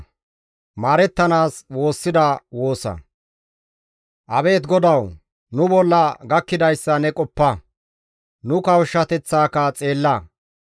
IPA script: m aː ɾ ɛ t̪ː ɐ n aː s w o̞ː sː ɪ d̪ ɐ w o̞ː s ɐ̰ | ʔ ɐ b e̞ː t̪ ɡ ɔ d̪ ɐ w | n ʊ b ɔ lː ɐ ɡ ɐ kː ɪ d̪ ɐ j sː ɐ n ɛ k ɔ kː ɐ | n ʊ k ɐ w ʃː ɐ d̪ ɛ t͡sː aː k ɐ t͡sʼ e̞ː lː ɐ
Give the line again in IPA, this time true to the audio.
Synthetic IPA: m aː ɾ ɛ t̪ː ɐ n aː s w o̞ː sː ɪ d̪ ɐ w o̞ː s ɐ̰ | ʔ ɐ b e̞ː t̪ ɡ ɔ d̪ ɐ w | n ʊ b ɔ lː ɐ ɡ ɐ kː ɪ d̪ ɐ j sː ɐ n ɛ kʼ ɔ pː ɐ | n ʊ k ɐ w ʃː ɐ t̪ ɛ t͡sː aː k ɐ t͡sʼ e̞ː lː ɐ

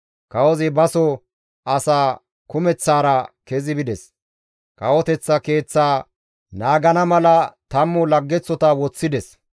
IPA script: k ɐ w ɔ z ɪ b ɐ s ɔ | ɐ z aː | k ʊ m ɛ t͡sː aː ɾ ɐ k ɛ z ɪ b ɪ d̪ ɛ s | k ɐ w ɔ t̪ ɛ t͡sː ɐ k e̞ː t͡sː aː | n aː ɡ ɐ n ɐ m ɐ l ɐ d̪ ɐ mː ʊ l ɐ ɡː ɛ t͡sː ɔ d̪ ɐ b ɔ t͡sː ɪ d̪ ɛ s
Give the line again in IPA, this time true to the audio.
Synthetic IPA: k ɐ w ɔ z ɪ b ɐ s ɔ | ɐ s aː | k ʊ m ɛ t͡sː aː ɾ ɐ k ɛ z ɪ b ɪ d̪ ɛ s | k ɐ w ɔ t̪ ɛ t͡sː ɐ k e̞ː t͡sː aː | n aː ɡ ɐ n ɐ m ɐ l ɐ t̪ ɐ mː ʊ l ɐ ɡː ɛ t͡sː ɔ t̪ ɐ w ɔ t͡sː ɪ d̪ ɛ s

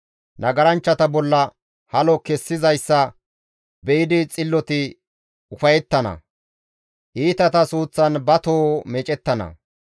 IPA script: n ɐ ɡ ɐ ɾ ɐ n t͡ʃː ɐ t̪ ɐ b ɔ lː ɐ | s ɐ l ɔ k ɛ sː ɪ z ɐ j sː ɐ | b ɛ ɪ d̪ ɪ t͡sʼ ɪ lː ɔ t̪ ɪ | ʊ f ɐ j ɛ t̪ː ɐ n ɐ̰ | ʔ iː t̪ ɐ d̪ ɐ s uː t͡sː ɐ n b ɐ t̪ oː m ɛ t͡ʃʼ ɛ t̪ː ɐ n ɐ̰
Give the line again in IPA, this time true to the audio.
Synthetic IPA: n ɐ ɡ ɐ ɾ ɐ n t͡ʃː ɐ t̪ ɐ b ɔ lː ɐ | h ɐ l ɔ k ɛ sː ɪ z ɐ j sː ɐ | b ɛ ɪ d̪ ɪ t͡sʼ ɪ lː ɔ t̪ ɪ | ʊ f ɐ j ɛ t̪ː ɐ n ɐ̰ | ʔ iː t̪ ɐ t̪ ɐ s uː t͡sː ɐ n b ɐ t̪ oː m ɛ t͡ʃʼ ɛ t̪ː ɐ n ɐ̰

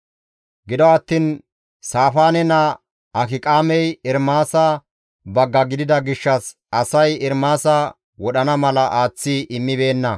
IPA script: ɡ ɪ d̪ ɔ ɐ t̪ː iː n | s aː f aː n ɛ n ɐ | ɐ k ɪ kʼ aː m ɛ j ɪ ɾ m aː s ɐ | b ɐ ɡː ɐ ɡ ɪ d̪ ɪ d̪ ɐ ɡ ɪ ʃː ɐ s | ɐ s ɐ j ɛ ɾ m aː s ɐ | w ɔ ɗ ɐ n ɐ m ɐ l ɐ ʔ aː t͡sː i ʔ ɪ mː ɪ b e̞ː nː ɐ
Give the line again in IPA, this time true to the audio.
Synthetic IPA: ɡ ɪ d̪ ɔ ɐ t̪ː iː n | s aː f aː n ɛ n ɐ | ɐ k ɪ kʼ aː m ɛ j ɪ ɾ m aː s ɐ | b ɐ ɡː ɐ ɡ ɪ d̪ ɪ d̪ ɐ ɡ ɪ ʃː ɐ s | ɐ s ɐ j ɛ ɾ m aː s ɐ | w ɔ ɗ ɐ n ɐ m ɐ l ɐ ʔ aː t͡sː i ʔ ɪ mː ɪ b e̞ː nː ɐ

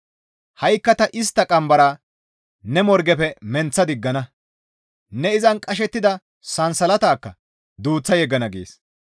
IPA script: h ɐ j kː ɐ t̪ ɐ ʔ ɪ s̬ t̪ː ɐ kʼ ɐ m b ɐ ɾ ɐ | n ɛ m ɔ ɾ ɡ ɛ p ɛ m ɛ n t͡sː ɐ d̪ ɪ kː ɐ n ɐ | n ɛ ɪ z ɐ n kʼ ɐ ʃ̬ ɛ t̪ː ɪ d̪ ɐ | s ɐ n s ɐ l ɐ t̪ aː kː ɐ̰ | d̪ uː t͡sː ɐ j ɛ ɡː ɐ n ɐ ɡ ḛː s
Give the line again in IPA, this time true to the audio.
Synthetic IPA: h ɐ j kː ɐ t̪ ɐ ʔ ɪ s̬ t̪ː ɐ kʼ ɐ m b ɐ ɾ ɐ | n ɛ m ɔ ɾ ɡ ɛ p ɛ m ɛ n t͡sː ɐ d̪ ɪ ɡː ɐ n ɐ | n ɛ ɪ z ɐ n kʼ ɐ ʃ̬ ɛ t̪ː ɪ d̪ ɐ | s ɐ n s ɐ l ɐ t̪ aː kː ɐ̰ | d̪ uː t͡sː ɐ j ɛ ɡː ɐ n ɐ ɡ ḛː s

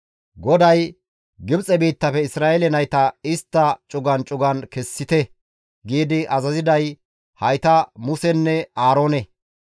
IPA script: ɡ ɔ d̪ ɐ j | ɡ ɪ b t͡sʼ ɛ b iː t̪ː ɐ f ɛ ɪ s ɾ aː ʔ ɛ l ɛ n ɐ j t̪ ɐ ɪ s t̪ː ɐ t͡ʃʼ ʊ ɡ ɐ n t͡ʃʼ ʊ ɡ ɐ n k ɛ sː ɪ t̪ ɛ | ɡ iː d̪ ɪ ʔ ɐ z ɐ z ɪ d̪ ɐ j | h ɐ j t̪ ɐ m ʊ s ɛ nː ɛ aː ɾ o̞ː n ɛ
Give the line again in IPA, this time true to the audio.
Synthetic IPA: ɡ ɔ d̪ ɐ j | ɡ ɪ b t͡sʼ ɛ b iː t̪ː ɐ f ɛ ɪ s ɾ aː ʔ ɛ l ɛ n ɐ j t̪ ɐ ɪ s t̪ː ɐ t͡ʃʼ ʊ ɡ ɐ n t͡ʃʼ ʊ ɡ ɐ n k ɛ sː ɪ t̪ ɛ | ɡ iː d̪ ɪ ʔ ɐ z ɐ z ɪ d̪ ɐ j | h ɐ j t̪ ɐ m ʊ s ɛ nː ɛ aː ɾ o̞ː n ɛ

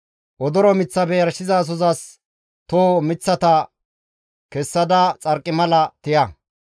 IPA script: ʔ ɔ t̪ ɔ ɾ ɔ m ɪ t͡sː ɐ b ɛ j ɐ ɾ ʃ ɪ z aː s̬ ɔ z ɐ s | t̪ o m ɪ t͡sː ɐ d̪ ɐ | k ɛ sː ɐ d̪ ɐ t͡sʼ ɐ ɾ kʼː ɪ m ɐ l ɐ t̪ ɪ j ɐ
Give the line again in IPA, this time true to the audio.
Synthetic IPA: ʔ ɔ d̪ ɔ ɾ ɔ m ɪ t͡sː ɐ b ɛ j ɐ ɾ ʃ ɪ z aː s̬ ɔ z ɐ s | t̪ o m ɪ t͡sː ɐ t̪ ɐ | k ɛ sː ɐ d̪ ɐ t͡sʼ ɐ ɾ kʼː ɪ m ɐ l ɐ t̪ ɪ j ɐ

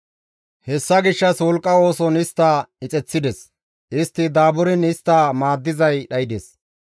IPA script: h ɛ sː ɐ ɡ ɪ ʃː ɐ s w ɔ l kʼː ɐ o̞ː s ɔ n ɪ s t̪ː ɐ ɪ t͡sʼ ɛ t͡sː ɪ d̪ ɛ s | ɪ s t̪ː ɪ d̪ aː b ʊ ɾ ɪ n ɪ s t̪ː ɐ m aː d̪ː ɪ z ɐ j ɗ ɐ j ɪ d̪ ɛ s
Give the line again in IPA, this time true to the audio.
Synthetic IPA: h ɛ sː ɐ ɡ ɪ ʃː ɐ s w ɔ l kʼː ɐ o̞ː s ɔ n ɪ s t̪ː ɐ ɪ t͡sʼ ɛ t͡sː ɪ d̪ ɛ s | ɪ s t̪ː ɪ d̪ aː b ʊ ɾ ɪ n ɪ s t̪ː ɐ m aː d̪ː ɪ z ɐ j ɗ ɐ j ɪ d̪ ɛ s

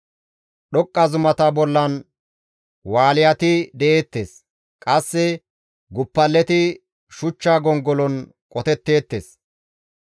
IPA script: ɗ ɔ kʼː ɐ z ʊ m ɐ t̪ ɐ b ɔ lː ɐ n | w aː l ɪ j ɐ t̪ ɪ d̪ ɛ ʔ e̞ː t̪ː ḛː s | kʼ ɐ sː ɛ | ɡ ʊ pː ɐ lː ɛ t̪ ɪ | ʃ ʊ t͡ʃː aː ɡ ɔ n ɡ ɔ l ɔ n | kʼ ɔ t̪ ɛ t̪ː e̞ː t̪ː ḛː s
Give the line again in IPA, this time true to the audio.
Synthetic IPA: ɗ ɔ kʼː ɐ z ʊ m ɐ t̪ ɐ b ɔ lː ɐ n | w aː l ɪ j ɐ t̪ ɪ d̪ ɛ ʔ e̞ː t̪ː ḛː s | kʼ ɐ sː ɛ | ɡ ʊ pː ɐ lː ɛ t̪ ɪ | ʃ ʊ t͡ʃː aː ɡ ɔ ŋ ɡ ɔ l ɔ n | kʼ ɔ t̪ ɛ t̪ː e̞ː t̪ː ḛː s

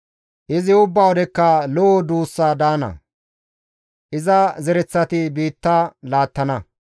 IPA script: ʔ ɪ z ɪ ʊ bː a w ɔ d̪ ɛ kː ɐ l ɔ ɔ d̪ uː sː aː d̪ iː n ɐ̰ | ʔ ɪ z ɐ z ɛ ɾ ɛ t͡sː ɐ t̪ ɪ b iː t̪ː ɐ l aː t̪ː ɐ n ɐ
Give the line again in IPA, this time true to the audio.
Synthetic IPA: ʔ ɪ z ɪ ʊ bː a w ɔ d̪ ɛ kː ɐ l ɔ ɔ d̪ uː sː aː d̪ aː n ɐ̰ | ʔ ɪ z ɐ z ɛ ɾ ɛ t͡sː ɐ t̪ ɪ b iː t̪ː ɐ l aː t̪ː ɐ n ɐ

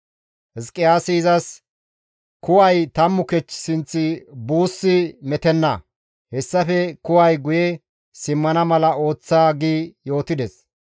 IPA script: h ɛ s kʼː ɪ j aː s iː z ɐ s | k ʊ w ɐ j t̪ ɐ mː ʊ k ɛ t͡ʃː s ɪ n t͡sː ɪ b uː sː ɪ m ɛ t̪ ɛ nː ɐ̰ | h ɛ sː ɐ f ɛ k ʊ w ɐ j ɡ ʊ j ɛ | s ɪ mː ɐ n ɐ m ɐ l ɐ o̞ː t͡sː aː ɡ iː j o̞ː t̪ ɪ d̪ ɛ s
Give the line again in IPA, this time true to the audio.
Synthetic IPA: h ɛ s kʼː ɪ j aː s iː z ɐ s | k ʊ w ɐ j t̪ ɐ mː ʊ k ɛ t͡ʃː s ɪ n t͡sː ɪ b uː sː ɪ m ɛ t̪ ɛ nː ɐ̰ | h ɛ sː ɐ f ɛ k ʊ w ɐ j ɡ ʊ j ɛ | s ɪ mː ɐ n ɐ m ɐ l ɐ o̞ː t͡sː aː ɡ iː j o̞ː t̪ ɪ d̪ ɛ s

